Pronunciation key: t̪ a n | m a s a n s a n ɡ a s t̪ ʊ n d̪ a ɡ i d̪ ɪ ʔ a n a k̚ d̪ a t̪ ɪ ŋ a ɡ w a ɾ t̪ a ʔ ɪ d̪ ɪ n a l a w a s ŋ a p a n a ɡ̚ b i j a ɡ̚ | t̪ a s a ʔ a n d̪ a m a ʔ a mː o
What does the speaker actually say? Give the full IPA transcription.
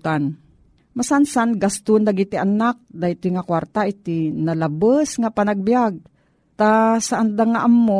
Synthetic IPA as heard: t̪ a n | m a s a n s a n ɡ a s t̪ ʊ n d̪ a ɡ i t̪ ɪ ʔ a n a k̚ d̪ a t̪ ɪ ŋ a k w a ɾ t̪ a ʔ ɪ t̪ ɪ n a l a b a s ŋ a p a n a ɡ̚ b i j a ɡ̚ | t̪ a s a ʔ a n d̪ a ŋ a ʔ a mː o